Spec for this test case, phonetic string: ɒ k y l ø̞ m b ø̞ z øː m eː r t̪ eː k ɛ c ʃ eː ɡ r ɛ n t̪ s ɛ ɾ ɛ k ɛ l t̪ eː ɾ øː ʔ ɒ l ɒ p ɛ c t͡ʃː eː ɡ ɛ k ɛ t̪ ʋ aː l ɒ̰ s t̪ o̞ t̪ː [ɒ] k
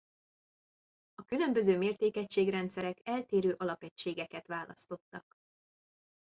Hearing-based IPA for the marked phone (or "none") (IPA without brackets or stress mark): ɒ